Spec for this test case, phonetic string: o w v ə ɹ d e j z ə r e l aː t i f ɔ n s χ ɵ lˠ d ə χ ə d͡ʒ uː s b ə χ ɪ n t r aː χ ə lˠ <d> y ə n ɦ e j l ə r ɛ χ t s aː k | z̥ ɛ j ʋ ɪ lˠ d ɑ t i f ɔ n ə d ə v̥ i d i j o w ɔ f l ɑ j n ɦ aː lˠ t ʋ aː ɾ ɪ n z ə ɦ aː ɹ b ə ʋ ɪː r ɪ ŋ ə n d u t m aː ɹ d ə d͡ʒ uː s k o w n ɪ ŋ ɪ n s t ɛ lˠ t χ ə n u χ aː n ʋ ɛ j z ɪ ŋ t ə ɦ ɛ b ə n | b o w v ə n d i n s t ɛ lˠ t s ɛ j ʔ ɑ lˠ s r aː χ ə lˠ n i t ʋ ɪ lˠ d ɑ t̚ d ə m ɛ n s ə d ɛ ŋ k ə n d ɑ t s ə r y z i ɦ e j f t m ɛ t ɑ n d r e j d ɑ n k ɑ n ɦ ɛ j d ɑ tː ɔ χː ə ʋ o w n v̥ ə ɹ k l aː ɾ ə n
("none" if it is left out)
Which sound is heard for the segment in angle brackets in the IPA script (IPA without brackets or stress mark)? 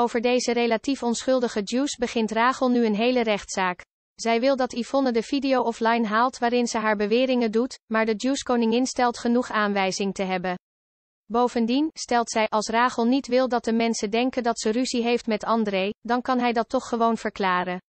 n